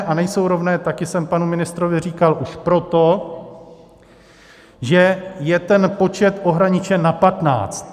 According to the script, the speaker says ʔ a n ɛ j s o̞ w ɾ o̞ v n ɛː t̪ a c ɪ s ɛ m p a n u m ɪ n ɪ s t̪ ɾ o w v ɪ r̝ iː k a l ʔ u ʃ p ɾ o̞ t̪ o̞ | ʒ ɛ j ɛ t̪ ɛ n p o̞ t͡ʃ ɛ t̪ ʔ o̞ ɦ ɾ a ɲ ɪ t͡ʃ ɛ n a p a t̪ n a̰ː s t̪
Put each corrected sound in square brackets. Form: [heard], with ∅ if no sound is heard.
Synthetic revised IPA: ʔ a n ɛ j s o̞ w ɾ o̞ v n ɛː t̪ a [k] ɪ s ɛ m p a n u m ɪ n ɪ s t̪ ɾ o [∅] v ɪ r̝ iː k a l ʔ u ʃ p ɾ o̞ t̪ o̞ | ʒ ɛ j ɛ t̪ ɛ n p o̞ t͡ʃ ɛ t̪ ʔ o̞ ɦ ɾ a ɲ ɪ t͡ʃ ɛ n a p a t̪ n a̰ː [t͡s] t̪

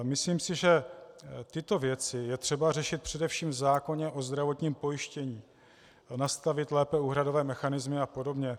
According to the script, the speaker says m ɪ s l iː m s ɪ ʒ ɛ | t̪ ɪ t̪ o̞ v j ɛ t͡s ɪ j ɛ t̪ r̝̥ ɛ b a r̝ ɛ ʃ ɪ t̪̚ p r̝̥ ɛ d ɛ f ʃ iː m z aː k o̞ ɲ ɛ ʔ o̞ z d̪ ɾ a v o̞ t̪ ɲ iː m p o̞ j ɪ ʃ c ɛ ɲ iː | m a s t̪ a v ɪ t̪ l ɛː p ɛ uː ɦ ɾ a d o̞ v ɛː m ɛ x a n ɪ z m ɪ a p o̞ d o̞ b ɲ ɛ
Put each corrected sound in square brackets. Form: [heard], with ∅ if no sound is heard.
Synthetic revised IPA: m ɪ s l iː m s ɪ ʒ ɛ | t̪ ɪ t̪ o̞ v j ɛ t͡s ɪ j ɛ t̪ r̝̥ ɛ b a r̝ ɛ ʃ ɪ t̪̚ p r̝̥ ɛ d ɛ f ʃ iː m z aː k o̞ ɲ ɛ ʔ o̞ z d̪ ɾ a v o̞ t̪ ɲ iː m p o̞ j ɪ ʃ c ɛ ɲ iː | [n] a s t̪ a v ɪ t̪ l ɛː p ɛ uː ɦ ɾ a d o̞ v ɛː m ɛ x a n ɪ z m ɪ a p o̞ d o̞ b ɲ ɛ

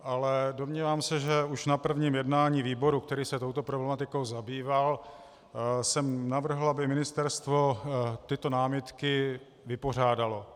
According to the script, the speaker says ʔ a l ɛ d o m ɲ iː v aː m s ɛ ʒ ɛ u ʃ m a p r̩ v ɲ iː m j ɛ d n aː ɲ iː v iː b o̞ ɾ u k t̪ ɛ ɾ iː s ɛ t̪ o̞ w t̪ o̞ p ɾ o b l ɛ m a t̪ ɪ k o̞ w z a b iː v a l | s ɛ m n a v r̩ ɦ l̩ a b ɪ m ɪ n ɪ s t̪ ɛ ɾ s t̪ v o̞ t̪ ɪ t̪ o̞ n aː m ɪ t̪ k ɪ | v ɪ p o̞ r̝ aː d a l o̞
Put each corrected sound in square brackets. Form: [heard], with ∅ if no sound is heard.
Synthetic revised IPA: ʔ a l ɛ d o m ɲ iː v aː m s ɛ ʒ ɛ u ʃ [n] a p r̩ v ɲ iː m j ɛ d n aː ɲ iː v iː b o̞ ɾ u k t̪ ɛ ɾ iː s ɛ t̪ o̞ w t̪ o̞ p ɾ o b l ɛ m a t̪ ɪ k o̞ w z a b iː v a l | s ɛ m n a v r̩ ɦ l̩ a b ɪ m ɪ n ɪ s t̪ ɛ ɾ s t̪ v o̞ t̪ ɪ t̪ o̞ n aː m ɪ t̪ k ɪ | v ɪ p o̞ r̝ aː d a l o̞

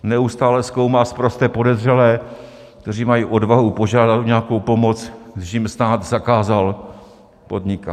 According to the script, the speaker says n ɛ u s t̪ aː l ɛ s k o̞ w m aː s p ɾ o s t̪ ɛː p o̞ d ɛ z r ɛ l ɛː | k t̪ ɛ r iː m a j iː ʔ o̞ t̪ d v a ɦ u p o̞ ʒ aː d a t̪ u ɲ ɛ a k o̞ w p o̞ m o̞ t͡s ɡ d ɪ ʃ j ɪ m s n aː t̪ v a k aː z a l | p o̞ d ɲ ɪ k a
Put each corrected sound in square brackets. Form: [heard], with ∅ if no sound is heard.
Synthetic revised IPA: n ɛ u s t̪ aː l ɛ s k o̞ w m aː s p ɾ o s t̪ ɛː p o̞ d ɛ z r ɛ l ɛː | k t̪ ɛ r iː m a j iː ʔ o̞ [∅] d v a ɦ u p o̞ ʒ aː d a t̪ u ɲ ɛ a k o̞ w p o̞ m o̞ t͡s ɡ d ɪ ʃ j ɪ m s n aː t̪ [z] a k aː z a l | p o̞ d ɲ ɪ k a

